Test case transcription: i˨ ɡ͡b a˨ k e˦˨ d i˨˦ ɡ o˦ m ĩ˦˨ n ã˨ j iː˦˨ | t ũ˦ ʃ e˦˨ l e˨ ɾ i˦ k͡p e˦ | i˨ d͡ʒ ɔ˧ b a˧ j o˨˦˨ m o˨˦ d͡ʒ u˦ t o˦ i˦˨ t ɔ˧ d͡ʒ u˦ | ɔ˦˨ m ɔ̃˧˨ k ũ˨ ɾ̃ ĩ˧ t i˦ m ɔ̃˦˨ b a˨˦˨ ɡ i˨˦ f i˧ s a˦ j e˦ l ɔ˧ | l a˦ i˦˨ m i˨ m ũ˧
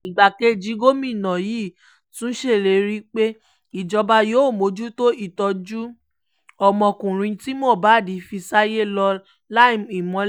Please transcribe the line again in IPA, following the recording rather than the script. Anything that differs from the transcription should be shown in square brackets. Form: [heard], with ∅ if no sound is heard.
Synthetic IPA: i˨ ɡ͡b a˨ k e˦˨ [d͡ʒ] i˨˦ ɡ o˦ m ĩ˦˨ n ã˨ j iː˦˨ | t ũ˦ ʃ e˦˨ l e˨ ɾ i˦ k͡p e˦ | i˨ d͡ʒ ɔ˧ b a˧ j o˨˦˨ m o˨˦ d͡ʒ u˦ t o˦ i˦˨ t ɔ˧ d͡ʒ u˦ | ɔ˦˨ m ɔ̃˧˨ k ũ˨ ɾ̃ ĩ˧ t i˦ m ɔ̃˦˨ b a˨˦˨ [d] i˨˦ f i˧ s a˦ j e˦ l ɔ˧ | l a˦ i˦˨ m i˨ m [ɔ̃˧]